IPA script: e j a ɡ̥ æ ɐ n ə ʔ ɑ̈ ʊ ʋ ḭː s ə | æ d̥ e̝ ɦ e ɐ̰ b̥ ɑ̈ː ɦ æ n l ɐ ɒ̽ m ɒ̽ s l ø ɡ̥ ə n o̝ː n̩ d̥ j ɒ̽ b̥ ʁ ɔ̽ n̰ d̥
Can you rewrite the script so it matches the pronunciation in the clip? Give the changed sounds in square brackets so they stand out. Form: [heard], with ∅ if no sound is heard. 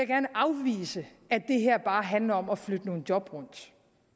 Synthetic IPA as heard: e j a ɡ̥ æ ɐ n ə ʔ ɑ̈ ʊ ʋ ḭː s ə | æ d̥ e̝ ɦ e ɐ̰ b̥ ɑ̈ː ɦ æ n l ɐ ɒ̽ m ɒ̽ [f] l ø [d̥] ə n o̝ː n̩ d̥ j ɒ̽ b̥ ʁ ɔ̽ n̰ d̥